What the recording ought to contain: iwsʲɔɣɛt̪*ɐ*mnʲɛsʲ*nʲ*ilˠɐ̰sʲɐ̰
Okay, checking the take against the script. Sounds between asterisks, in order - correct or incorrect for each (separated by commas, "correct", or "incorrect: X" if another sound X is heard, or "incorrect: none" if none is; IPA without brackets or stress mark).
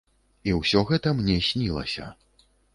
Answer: correct, correct